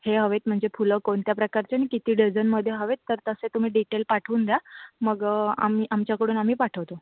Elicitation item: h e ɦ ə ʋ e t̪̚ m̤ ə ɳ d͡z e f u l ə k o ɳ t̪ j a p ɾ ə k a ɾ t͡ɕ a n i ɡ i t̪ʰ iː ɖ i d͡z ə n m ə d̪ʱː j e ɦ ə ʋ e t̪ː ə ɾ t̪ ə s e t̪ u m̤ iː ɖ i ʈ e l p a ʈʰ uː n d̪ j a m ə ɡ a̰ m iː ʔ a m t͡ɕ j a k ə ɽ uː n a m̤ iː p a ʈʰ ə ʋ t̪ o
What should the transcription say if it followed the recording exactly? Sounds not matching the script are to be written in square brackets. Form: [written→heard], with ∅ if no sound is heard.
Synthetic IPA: h e ɦ ə ʋ e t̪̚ m̤ ə ɳ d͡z e f u l ə k o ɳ t̪ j a p ɾ ə k a ɾ t͡ɕ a n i [ɡ→k] i [t̪ʰ→t̪] iː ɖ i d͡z ə n m ə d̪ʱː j e ɦ ə ʋ e t̪ː ə ɾ t̪ ə s e t̪ u m̤ iː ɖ i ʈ e l p a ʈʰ uː n d̪ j a m ə ɡ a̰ m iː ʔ a m t͡ɕ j a k ə ɽ uː n a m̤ iː p a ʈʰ ə ʋ t̪ o

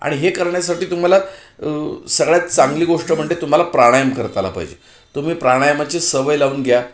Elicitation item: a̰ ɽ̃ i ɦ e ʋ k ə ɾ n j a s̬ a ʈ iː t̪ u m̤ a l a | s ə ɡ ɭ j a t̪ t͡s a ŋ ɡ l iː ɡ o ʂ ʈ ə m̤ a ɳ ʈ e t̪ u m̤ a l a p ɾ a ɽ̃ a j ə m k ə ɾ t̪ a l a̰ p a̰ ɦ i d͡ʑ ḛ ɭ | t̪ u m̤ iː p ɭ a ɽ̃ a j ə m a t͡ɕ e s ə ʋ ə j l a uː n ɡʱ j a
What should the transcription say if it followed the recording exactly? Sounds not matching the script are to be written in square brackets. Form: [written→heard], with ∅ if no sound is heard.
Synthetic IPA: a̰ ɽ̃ i ɦ e [ʋ→∅] k ə ɾ [n→ɳ] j a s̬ a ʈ iː t̪ u m̤ a l a | s ə ɡ ɭ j a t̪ t͡s a ŋ ɡ l iː ɡ o ʂ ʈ ə m̤ [a→ə] ɳ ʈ e t̪ u m̤ a l a p ɾ a ɽ̃ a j ə m k ə ɾ t̪ a l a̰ p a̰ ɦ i d͡ʑ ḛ [ɭ→∅] | t̪ u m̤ iː p [ɭ→ɾ] a ɽ̃ a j ə m a t͡ɕ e s ə ʋ ə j l a uː n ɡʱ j a

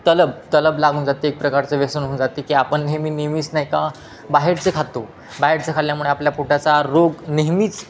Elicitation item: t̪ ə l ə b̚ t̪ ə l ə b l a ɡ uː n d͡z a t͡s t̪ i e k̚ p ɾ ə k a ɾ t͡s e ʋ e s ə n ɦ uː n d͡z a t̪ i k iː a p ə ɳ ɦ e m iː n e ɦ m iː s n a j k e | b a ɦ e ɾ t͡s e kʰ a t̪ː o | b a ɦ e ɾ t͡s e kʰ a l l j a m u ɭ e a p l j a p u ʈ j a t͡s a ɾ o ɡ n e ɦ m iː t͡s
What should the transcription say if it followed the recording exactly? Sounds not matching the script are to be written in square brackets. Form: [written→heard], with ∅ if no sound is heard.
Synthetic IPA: t̪ ə l ə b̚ t̪ ə l ə b l a ɡ uː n d͡z a [t͡s→∅] t̪ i e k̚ p ɾ ə k a ɾ t͡s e ʋ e s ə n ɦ uː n d͡z a t̪ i k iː a p ə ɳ ɦ e m iː n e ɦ m iː s n a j k [e→a] | b a ɦ e ɾ t͡s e kʰ a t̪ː o | b a ɦ e ɾ t͡s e kʰ a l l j a m u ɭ e a p l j a p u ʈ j a t͡s a ɾ o ɡ n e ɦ m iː t͡s

